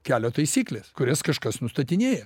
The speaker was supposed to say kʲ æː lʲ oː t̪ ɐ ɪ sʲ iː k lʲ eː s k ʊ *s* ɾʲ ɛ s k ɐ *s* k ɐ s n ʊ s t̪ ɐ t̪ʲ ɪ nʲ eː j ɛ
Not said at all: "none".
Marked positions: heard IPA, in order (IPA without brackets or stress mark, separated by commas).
none, ʃ